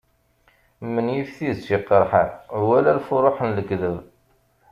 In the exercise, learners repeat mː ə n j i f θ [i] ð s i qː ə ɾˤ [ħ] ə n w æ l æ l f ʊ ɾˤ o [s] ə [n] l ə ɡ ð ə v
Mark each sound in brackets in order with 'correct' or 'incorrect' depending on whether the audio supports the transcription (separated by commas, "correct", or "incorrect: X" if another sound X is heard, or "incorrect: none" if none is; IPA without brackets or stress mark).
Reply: correct, correct, incorrect: ħ, correct